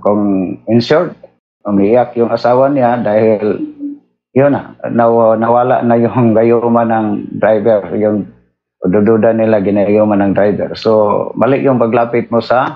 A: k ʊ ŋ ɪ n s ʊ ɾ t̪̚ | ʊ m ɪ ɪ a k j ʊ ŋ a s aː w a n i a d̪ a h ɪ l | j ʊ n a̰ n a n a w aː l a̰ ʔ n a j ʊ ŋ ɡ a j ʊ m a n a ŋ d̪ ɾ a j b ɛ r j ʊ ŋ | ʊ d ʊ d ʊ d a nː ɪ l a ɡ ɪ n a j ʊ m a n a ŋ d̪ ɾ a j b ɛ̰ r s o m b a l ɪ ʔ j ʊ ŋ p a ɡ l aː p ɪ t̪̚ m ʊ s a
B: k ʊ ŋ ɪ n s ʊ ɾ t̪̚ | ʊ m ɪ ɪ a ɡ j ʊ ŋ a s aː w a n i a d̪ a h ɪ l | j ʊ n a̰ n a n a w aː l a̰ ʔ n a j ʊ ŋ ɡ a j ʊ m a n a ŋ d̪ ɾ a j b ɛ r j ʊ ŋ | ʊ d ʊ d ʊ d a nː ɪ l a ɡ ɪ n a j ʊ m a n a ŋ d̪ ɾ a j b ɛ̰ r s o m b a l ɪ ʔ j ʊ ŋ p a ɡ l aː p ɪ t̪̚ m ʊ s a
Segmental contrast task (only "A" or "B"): A